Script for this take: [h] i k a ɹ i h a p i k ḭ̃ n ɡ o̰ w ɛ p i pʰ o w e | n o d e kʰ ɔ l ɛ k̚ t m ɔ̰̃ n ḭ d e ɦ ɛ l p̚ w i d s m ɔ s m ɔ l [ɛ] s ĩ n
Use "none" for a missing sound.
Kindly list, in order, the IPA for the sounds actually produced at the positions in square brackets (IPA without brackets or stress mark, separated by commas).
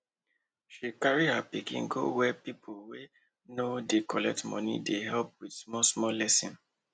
ʃ, ɛ